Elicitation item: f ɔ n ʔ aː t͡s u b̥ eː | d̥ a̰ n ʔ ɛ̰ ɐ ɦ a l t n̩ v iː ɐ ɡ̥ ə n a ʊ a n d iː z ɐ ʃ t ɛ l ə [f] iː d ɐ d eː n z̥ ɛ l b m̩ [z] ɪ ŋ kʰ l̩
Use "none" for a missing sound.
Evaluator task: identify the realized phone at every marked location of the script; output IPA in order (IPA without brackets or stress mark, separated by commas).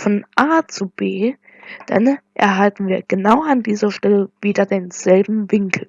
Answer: v, v